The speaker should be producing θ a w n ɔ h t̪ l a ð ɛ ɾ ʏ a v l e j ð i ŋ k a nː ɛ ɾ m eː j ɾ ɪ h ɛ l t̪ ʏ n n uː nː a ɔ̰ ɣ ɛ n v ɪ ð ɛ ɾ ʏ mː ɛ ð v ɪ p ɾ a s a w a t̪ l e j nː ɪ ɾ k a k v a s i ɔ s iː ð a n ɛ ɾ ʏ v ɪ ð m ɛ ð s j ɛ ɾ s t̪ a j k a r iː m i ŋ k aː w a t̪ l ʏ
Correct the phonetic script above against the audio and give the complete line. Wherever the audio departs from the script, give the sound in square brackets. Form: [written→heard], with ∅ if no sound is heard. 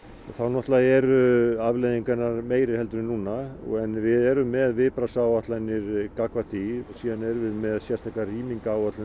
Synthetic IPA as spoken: θ a w n ɔ h t̪ l a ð ɛ ɾ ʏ a v l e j ð i ŋ k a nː [ɛ→a] ɾ m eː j ɾ ɪ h ɛ l t̪ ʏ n n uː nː a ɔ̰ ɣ ɛ n v ɪ ð ɛ ɾ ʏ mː ɛ ð v ɪ p ɾ a s a w a t̪ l [e→a] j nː ɪ ɾ k a k v a [s→θ] i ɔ s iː ð a n ɛ ɾ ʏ v ɪ ð m ɛ ð s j ɛ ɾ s t̪ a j k a r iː m i ŋ k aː w a t̪ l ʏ